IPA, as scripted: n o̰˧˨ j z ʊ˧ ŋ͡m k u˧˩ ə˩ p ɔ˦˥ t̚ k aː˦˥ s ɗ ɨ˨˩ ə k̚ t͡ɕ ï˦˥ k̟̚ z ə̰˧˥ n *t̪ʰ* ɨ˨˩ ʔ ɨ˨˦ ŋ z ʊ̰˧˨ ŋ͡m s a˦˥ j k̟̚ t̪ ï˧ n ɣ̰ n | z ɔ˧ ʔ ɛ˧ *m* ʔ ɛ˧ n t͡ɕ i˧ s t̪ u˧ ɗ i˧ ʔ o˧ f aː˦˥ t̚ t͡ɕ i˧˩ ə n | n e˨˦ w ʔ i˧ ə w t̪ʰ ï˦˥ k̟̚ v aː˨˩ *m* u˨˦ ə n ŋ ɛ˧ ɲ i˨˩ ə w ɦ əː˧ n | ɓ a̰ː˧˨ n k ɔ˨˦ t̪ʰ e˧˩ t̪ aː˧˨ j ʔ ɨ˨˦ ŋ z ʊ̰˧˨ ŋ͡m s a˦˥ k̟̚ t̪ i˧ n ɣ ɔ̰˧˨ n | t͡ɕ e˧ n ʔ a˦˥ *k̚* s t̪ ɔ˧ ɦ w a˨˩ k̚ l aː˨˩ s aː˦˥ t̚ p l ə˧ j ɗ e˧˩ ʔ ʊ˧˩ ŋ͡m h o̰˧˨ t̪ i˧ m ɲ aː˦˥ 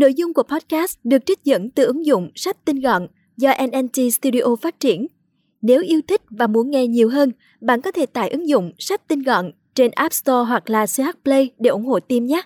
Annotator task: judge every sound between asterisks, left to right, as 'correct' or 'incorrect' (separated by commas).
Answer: incorrect, incorrect, correct, incorrect